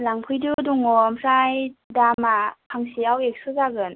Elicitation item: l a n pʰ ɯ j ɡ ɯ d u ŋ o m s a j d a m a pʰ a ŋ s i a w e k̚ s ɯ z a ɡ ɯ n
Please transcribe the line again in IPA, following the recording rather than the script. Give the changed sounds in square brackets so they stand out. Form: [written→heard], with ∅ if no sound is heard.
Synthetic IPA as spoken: l a [n→ŋ] pʰ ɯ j [ɡ→d] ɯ d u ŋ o m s a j d a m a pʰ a ŋ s i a w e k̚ s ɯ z a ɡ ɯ n